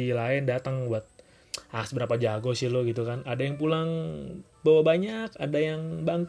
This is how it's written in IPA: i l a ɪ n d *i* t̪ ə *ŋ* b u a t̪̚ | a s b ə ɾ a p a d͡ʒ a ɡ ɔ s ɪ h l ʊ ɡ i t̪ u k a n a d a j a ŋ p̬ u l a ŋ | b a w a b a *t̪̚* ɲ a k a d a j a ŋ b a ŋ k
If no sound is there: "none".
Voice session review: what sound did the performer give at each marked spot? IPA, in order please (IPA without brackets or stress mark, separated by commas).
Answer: a, ŋ, none